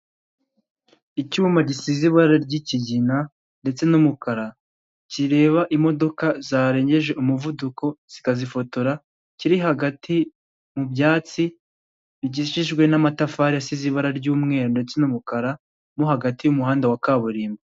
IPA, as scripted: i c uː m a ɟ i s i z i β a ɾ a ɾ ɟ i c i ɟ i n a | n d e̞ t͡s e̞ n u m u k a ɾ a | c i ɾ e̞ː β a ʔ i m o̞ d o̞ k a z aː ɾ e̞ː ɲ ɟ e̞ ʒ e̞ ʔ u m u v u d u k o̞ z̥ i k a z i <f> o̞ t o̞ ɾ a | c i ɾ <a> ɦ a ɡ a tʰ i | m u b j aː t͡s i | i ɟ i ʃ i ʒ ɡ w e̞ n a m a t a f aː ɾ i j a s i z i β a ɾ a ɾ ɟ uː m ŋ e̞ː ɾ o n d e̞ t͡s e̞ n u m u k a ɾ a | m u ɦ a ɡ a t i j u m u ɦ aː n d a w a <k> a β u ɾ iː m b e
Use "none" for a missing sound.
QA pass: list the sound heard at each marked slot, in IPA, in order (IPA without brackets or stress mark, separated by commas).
f, i, k